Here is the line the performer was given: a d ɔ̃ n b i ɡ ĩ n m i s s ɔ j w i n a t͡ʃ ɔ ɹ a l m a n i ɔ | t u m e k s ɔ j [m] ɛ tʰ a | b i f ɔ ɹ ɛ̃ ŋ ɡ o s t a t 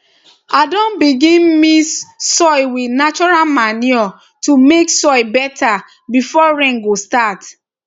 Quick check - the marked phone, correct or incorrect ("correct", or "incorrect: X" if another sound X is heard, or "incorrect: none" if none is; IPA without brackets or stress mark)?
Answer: incorrect: b